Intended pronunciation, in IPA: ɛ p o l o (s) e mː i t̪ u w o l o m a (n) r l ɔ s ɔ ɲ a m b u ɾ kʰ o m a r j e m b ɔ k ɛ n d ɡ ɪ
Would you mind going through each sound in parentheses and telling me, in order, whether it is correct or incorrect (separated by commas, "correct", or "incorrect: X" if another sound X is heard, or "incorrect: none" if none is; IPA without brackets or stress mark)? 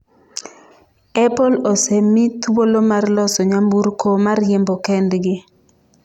correct, incorrect: none